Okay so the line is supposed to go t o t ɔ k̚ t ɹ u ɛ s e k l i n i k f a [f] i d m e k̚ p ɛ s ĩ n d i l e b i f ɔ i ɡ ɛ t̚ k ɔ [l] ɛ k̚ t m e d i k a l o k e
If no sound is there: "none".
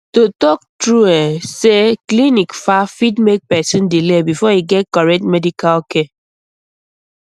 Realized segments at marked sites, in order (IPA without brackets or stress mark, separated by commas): f, ɹ